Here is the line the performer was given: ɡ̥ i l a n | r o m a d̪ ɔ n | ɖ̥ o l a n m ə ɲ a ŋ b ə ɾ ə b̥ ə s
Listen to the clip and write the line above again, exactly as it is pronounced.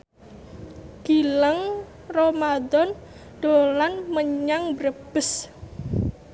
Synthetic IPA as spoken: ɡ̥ i l a ŋ | r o m a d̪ ɔ n | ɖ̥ o l a n m ə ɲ a ŋ b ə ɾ ə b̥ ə s